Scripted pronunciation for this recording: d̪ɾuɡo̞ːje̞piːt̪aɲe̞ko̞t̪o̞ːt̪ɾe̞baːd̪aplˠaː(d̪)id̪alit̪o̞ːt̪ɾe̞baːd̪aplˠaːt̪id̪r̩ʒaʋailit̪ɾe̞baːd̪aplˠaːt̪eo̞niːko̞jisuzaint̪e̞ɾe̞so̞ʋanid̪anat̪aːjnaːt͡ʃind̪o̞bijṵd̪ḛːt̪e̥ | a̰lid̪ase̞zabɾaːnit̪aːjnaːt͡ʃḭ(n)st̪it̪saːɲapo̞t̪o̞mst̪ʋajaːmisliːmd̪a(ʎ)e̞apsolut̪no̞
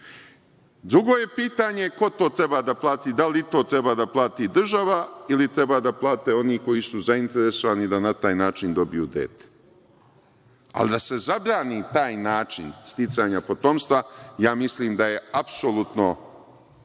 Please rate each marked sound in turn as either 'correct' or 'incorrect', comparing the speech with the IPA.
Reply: incorrect: t̪, correct, incorrect: j

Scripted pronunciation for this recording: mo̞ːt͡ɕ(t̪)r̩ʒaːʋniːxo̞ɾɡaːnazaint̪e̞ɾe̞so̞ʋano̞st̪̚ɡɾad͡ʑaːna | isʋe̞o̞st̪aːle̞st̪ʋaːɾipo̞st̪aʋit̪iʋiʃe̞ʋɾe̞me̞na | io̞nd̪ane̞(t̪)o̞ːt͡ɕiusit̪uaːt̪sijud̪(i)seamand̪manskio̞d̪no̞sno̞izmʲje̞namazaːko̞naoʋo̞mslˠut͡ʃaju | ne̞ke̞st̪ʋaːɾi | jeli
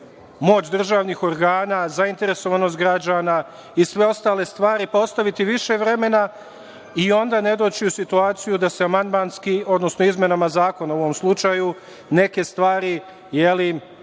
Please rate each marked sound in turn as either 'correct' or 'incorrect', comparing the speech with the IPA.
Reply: incorrect: d̪, incorrect: d̪, incorrect: a

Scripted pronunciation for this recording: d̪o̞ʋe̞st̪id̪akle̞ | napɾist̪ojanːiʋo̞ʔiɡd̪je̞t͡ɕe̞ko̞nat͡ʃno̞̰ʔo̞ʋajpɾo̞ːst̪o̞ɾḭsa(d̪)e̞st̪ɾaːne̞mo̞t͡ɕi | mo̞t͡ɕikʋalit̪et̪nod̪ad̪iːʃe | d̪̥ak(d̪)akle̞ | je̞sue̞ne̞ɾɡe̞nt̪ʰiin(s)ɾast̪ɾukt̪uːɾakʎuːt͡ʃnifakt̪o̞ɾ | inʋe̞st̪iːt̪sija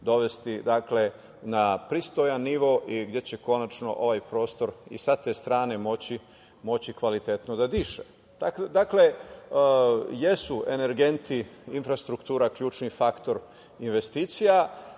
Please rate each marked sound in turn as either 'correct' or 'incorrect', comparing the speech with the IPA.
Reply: incorrect: t̪, correct, incorrect: f

